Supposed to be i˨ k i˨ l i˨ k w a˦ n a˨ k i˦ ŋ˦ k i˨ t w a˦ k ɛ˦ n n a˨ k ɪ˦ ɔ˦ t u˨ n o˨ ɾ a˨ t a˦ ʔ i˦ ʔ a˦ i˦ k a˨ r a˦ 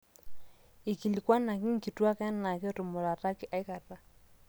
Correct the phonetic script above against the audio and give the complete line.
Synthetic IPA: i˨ k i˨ l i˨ k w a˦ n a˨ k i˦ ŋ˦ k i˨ t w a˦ k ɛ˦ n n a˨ k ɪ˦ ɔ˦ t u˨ m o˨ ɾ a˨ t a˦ k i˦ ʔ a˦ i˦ k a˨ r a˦